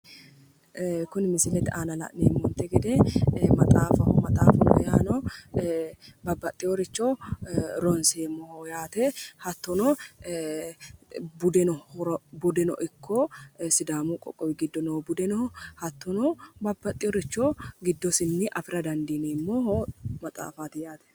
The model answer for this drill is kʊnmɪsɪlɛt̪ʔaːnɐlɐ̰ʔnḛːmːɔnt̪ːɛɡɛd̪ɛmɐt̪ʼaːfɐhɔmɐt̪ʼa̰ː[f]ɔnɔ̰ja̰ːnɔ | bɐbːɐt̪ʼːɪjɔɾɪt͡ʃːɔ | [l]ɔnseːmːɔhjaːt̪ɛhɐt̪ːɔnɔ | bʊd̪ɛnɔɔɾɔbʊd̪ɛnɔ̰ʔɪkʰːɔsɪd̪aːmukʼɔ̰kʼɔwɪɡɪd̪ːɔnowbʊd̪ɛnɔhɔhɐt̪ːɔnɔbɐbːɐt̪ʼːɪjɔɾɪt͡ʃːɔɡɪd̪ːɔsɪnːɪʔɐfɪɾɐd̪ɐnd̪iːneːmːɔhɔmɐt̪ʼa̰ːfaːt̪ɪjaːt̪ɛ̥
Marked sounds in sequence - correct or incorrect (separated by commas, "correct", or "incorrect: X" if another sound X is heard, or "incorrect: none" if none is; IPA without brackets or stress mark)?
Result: correct, incorrect: ɾ